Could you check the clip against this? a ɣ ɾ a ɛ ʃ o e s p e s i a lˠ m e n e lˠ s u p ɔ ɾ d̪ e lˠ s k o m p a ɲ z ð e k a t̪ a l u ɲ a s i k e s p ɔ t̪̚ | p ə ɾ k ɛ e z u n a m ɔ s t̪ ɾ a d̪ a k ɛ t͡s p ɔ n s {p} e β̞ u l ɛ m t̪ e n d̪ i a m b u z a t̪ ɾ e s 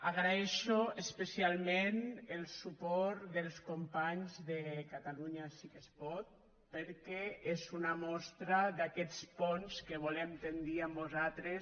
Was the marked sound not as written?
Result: yes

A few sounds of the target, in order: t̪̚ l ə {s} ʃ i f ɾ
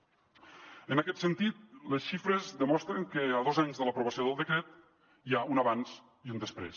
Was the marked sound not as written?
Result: no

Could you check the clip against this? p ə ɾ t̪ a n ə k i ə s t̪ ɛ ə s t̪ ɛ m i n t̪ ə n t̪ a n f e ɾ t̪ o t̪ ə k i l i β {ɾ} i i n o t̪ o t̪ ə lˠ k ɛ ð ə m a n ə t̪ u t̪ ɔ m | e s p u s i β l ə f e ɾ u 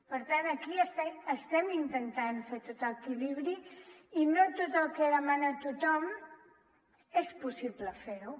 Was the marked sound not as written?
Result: no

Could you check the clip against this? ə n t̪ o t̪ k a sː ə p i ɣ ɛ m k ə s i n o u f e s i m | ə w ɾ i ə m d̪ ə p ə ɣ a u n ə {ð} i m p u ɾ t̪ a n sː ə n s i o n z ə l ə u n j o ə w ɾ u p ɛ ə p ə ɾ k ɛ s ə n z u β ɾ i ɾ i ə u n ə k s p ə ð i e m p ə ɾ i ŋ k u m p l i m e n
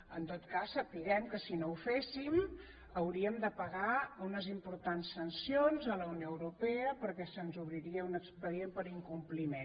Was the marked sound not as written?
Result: yes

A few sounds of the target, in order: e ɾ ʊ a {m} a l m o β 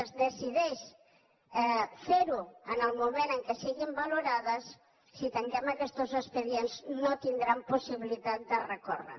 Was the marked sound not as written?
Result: yes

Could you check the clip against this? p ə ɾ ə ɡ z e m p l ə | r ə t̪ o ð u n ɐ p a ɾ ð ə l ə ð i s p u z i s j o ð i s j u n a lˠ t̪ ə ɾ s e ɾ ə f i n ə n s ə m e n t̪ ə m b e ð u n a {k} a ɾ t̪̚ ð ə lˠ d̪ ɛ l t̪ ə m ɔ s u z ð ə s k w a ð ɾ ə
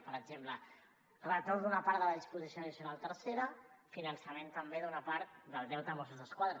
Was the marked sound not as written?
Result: yes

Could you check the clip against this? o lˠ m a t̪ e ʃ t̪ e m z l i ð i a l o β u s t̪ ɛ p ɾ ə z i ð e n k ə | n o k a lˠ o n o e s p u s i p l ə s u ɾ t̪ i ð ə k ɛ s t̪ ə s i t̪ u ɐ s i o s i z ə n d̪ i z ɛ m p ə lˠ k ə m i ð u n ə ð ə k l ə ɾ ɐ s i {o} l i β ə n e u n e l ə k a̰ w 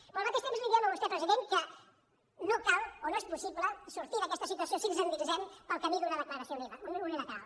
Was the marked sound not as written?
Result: no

